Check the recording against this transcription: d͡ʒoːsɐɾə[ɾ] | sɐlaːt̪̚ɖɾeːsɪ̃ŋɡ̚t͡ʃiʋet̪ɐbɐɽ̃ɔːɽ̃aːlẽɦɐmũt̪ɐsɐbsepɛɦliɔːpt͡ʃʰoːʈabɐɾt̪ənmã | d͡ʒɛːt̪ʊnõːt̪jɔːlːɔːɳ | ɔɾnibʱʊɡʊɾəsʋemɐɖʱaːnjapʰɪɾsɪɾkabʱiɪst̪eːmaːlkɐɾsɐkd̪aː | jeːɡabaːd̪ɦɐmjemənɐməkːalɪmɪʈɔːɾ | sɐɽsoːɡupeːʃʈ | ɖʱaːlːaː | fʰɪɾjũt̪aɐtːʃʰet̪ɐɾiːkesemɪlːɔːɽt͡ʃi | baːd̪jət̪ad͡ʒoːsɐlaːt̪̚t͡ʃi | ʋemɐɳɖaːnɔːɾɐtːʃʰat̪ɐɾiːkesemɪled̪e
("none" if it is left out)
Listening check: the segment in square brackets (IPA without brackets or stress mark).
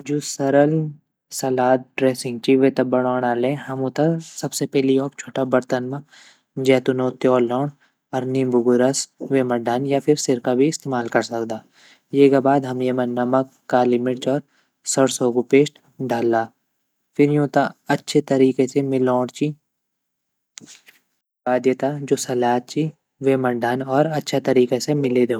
l